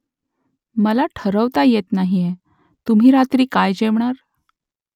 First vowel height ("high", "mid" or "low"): mid